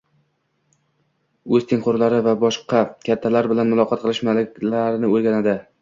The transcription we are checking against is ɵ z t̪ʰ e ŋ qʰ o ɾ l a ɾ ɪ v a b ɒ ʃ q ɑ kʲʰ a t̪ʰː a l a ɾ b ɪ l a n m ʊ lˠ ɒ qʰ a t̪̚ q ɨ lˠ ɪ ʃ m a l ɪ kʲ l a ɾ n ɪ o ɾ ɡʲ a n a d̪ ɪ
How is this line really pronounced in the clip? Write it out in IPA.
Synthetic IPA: ɵ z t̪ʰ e ŋ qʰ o ɾ l a ɾ ɪ v a b ɒ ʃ q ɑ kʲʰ a t̪ʰː a l a ɾ b ɪ l a n m ʊ lˠ ɒ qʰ ɑ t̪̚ q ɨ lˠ ɪ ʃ m a l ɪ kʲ l a ɾ n ɪ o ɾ ɡʲ a n a d̪ ɪ